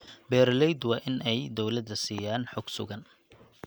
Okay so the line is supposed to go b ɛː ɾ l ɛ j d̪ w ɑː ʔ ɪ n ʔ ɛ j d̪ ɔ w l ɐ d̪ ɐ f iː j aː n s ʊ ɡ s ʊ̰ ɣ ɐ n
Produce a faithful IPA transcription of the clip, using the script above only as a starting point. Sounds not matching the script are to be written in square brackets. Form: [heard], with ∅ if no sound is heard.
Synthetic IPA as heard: b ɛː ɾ l ɛ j d̪ w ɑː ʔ ɪ n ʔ ɛ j d̪ ɔ w l ɐ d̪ ɐ [s] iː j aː n [ħ] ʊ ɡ s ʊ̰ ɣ ɐ n

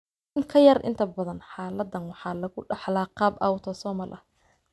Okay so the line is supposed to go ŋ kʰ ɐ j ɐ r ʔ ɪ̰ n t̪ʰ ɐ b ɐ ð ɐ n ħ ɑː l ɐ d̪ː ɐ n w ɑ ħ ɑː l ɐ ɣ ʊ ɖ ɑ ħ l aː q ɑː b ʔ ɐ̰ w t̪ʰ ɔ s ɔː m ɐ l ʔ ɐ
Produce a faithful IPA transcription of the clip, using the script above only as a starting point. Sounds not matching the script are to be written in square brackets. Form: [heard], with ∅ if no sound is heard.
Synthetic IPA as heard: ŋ kʰ ɐ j ɐ r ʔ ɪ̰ n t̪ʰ ɐ b ɐ ð ɐ n ħ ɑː l ɐ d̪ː ɐ n w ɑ ħ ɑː l ɐ ɣ ʊ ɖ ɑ ħ l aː q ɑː b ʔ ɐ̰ w t̪ʰ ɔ s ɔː m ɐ l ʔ ɐ

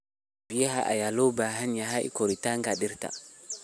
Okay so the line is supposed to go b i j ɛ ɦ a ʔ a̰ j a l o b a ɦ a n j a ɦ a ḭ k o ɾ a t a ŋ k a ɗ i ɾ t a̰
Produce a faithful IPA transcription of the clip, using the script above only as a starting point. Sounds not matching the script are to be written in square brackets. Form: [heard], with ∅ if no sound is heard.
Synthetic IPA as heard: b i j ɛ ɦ a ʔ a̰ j a l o b a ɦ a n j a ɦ a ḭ k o ɾ [i] t a ŋ [ɡ] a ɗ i ɾ t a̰

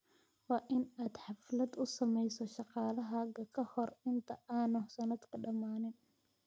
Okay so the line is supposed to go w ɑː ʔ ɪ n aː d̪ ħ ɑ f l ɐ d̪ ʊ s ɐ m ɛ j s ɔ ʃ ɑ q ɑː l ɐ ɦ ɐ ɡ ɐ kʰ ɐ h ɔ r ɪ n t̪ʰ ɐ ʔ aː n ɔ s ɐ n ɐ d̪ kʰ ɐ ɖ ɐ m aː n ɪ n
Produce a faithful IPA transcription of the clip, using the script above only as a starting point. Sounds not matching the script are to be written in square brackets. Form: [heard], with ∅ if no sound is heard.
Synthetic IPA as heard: w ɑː ʔ ɪ n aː d̪ ħ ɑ f l ɐ d̪ ʊ s ɐ m ɛ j s ɔ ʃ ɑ q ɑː l ɐ ɦ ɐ ɡ ɐ kʰ ɐ h ɔ r ɪ n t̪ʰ ɐ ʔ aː n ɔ s ɐ n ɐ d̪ kʰ ɐ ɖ ɐ m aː n ɪ n

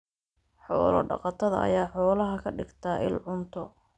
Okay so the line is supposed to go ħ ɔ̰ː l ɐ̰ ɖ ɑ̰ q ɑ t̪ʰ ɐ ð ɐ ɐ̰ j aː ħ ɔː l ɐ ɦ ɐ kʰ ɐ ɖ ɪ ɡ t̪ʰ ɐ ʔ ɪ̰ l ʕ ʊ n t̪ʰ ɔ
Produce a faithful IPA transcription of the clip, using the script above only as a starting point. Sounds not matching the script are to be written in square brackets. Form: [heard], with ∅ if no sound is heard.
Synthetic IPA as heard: ħ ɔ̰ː l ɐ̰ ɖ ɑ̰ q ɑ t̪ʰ ɐ ð ɐ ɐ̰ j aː ħ ɔː l ɐ ɦ ɐ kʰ ɐ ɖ ɪ ɡ t̪ʰ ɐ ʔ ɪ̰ l ʕ ʊ n t̪ʰ ɔ

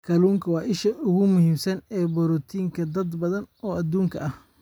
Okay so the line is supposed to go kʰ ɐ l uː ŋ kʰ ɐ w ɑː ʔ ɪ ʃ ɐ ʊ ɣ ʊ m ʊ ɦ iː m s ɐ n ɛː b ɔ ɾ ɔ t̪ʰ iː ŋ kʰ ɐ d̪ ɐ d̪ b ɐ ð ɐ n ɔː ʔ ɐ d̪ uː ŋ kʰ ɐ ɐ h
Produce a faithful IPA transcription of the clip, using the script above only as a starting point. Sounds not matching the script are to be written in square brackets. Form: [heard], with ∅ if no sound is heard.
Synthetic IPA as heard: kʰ ɐ l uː ŋ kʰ ɐ w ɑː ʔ ɪ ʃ ɐ ʊ ɣ ʊ m ʊ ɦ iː m s ɐ n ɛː b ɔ ɾ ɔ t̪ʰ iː ŋ kʰ ɐ d̪ ɐ d̪ b ɐ ð ɐ n ɔː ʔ ɐ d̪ uː ŋ kʰ ɐ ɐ h

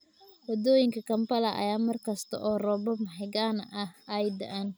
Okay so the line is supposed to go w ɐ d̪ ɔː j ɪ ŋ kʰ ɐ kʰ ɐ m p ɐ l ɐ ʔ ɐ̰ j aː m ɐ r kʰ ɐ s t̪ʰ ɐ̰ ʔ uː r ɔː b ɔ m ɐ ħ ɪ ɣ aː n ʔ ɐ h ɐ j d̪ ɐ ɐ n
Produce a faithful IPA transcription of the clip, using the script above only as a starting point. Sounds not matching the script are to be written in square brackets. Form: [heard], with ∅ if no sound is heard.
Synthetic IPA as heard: w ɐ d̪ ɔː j ɪ ŋ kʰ ɐ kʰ ɐ m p ɐ l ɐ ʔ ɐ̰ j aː m ɐ r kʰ ɐ s t̪ʰ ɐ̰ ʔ [ɔː] r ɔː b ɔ m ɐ ħ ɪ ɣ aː n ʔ ɐ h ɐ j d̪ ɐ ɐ n

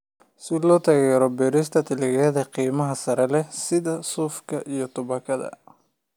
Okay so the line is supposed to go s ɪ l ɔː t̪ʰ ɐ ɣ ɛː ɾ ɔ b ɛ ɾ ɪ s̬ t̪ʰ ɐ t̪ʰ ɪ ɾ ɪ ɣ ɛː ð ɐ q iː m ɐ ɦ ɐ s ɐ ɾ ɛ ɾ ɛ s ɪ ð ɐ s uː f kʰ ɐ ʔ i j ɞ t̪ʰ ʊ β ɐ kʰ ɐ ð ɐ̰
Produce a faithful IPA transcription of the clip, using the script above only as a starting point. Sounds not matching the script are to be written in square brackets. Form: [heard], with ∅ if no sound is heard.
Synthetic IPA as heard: s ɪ l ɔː t̪ʰ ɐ ɣ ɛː ɾ ɔ b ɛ ɾ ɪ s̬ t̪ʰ ɐ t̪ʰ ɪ [l] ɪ ɣ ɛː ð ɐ q iː m ɐ ɦ ɐ s ɐ ɾ ɛ [l] ɛ s ɪ ð ɐ s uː f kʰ ɐ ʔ i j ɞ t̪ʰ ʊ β ɐ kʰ ɐ ð ɐ̰

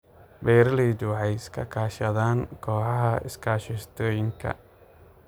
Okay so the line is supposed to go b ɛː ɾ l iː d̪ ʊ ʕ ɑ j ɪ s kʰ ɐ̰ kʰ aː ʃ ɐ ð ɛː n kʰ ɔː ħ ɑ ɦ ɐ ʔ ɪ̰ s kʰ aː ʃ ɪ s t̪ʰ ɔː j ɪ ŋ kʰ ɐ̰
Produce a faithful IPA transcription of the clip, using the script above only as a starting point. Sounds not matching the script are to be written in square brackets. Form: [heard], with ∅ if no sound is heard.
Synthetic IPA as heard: b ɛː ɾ l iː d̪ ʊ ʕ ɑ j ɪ s kʰ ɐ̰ kʰ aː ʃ ɐ ð [aː] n kʰ ɔː ħ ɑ ɦ ɐ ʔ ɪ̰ s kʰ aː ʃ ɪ s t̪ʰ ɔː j ɪ ŋ kʰ ɐ̰

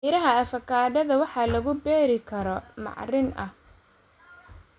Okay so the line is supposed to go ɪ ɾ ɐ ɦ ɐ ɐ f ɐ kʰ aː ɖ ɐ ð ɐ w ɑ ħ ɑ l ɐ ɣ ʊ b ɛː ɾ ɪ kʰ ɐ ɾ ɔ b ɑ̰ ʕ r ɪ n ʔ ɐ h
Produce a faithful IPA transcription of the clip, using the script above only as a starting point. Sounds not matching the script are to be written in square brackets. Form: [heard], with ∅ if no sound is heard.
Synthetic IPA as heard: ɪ ɾ ɐ ɦ ɐ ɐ f ɐ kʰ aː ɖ ɐ ð ɐ w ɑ ħ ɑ l ɐ ɣ ʊ b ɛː ɾ ɪ kʰ ɐ ɾ ɔ [m] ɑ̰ ʕ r ɪ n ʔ ɐ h

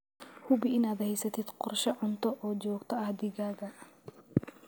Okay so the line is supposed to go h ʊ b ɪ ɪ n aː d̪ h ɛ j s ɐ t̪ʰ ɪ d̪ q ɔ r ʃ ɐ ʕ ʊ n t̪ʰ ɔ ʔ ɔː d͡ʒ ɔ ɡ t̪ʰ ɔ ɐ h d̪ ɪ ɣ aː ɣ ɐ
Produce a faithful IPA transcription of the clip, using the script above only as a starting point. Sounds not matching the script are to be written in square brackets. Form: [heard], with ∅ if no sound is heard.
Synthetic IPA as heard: h ʊ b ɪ ɪ n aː d̪ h ɛ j s ɐ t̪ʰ ɪ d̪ q ɔ r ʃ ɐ ʕ ʊ n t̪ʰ ɔ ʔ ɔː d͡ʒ [ɔː] ɡ t̪ʰ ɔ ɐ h d̪ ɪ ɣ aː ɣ ɐ

